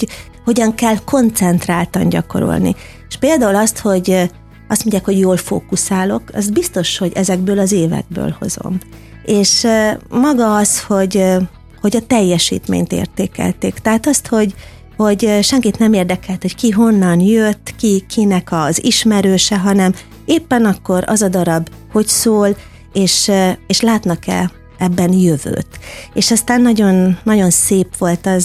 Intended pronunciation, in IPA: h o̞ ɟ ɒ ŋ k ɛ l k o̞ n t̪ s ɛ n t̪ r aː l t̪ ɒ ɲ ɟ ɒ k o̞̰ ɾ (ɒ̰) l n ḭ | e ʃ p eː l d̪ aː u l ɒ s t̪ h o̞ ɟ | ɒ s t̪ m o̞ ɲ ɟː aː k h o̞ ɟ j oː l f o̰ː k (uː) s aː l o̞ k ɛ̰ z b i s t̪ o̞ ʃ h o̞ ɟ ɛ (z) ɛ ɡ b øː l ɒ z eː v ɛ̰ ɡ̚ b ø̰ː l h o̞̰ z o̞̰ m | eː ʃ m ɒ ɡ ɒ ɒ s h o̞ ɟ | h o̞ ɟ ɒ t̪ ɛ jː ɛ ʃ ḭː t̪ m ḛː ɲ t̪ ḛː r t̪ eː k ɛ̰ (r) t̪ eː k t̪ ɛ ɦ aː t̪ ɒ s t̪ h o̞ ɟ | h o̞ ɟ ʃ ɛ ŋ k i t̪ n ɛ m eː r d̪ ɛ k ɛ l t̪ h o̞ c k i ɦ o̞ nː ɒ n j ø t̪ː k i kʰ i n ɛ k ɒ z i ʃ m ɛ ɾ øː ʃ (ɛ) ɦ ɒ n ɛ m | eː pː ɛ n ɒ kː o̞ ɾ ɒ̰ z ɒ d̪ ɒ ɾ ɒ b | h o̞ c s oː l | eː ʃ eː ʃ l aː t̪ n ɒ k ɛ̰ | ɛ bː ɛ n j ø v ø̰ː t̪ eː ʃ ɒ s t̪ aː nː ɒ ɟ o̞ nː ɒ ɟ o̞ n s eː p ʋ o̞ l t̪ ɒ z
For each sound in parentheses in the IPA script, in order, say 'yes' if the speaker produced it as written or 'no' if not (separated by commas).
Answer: no, no, yes, no, yes